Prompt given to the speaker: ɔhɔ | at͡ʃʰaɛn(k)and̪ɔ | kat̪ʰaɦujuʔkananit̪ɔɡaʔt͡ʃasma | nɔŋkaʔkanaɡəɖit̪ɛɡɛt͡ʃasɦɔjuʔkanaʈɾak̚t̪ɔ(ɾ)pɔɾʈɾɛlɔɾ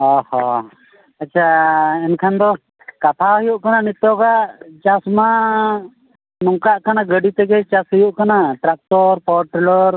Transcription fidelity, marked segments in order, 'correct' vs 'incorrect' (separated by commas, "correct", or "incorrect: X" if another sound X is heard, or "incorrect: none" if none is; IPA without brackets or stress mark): incorrect: kʰ, correct